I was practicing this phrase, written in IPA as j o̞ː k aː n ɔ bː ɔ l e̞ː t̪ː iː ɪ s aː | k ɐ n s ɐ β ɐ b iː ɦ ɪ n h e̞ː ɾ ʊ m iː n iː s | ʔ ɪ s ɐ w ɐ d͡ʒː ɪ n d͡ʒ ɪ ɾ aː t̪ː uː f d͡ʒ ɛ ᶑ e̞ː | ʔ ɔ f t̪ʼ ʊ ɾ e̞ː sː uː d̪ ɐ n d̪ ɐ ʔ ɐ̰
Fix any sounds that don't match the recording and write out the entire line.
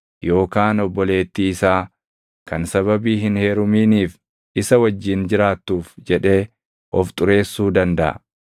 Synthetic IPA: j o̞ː k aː n ɔ bː ɔ l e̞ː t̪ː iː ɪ s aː | k ɐ n s ɐ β ɐ b iː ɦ ɪ n h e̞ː ɾ ʊ m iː n iː f | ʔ ɪ s ɐ w ɐ d͡ʒː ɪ n d͡ʒ ɪ ɾ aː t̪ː uː f d͡ʒ ɛ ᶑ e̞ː | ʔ ɔ f t̪ʼ ʊ ɾ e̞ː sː uː d̪ ɐ n d̪ ɐ ʔ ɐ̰